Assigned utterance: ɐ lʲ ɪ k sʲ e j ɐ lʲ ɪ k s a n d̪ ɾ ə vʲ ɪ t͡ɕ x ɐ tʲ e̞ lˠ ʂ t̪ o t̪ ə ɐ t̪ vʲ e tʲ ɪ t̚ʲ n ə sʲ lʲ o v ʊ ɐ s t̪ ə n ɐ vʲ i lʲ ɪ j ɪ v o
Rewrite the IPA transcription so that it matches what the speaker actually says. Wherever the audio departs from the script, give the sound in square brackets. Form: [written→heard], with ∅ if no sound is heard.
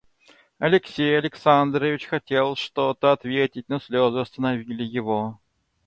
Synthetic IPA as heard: ɐ lʲ ɪ k sʲ e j ɐ lʲ ɪ k s a n d̪ ɾ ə vʲ ɪ t͡ɕ x ɐ tʲ e̞ lˠ ʂ t̪ o t̪ ə ɐ t̪ vʲ e tʲ ɪ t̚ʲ n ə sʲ lʲ o [v→z] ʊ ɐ s t̪ ə n ɐ vʲ i lʲ ɪ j ɪ v o